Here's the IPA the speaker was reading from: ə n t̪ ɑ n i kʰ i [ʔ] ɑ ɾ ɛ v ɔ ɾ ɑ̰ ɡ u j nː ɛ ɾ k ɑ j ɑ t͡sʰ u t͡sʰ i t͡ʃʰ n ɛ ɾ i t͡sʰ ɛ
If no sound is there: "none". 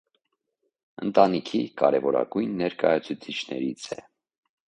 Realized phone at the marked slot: k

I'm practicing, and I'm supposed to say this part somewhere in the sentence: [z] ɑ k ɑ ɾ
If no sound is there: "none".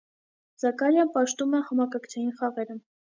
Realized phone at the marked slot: z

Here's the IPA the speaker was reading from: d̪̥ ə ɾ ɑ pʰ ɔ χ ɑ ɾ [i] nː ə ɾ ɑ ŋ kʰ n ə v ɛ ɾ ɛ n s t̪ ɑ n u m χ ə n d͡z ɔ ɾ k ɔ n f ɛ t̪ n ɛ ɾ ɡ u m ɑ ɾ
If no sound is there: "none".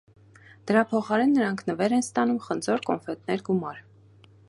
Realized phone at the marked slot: ɛ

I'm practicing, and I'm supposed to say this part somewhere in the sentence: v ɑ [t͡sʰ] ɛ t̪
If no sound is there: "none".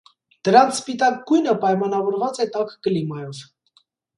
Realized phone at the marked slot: t͡s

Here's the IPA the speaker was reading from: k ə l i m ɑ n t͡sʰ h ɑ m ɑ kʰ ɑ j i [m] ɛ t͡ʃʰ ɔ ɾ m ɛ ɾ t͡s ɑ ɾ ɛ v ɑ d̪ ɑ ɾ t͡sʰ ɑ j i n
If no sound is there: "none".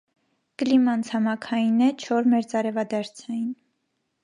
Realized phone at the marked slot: n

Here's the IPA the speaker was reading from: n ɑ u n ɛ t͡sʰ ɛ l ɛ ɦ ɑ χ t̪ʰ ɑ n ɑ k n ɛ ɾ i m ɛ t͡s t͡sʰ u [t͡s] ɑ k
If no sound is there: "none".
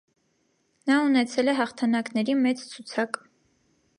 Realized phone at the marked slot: t͡sʰ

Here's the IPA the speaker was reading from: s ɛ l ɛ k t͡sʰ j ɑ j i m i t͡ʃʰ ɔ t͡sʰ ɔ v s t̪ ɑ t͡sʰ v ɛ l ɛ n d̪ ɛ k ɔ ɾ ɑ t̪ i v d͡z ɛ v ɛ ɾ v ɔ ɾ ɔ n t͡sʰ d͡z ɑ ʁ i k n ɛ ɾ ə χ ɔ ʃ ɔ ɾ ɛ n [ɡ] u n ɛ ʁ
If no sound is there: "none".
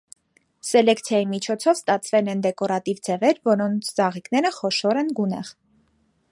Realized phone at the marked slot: ɡ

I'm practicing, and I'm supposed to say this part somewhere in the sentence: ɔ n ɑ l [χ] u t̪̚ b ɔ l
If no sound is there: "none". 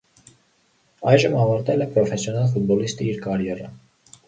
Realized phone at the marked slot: f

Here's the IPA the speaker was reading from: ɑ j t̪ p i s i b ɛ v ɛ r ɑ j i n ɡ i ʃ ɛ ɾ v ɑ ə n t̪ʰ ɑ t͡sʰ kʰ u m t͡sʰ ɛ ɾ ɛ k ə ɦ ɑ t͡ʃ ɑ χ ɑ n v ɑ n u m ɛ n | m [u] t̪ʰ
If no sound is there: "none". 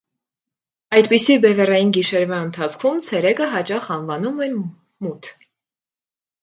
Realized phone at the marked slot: u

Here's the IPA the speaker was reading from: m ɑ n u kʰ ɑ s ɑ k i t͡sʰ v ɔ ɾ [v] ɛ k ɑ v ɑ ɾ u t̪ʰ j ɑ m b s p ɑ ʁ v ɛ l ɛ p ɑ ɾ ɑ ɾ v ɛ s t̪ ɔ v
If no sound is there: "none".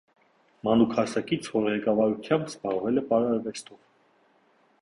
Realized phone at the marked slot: ʁ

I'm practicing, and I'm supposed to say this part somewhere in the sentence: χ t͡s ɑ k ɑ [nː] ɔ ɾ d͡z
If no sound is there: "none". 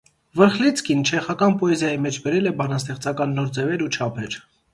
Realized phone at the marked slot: nː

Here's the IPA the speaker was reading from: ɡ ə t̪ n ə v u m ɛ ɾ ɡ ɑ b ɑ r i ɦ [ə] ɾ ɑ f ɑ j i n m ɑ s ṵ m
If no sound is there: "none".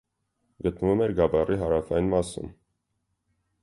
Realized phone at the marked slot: ɑ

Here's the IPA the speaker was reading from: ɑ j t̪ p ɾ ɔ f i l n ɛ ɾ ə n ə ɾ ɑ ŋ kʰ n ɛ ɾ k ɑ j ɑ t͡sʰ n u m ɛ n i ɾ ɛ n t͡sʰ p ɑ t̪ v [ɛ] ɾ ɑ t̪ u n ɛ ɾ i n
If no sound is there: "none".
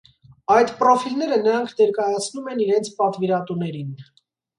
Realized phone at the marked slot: i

